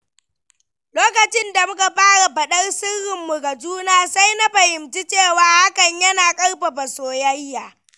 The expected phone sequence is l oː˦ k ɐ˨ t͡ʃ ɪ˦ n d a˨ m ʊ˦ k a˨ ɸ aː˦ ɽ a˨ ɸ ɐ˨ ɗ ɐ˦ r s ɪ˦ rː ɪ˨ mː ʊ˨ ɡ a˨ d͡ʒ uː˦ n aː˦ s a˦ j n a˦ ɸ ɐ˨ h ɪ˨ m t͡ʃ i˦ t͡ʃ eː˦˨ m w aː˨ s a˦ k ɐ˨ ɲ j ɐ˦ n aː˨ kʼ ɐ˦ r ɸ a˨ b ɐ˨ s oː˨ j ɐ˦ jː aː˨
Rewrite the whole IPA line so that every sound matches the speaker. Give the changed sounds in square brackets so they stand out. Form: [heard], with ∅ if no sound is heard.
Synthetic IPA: l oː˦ k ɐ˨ t͡ʃ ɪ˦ n d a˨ m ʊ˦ k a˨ ɸ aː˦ ɽ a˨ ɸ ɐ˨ ɗ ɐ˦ r s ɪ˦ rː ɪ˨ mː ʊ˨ ɡ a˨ d͡ʒ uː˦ n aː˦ s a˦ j n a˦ ɸ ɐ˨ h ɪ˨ m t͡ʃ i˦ t͡ʃ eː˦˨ [∅] w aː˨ [h] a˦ k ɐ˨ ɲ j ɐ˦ n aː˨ kʼ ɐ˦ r ɸ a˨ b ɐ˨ s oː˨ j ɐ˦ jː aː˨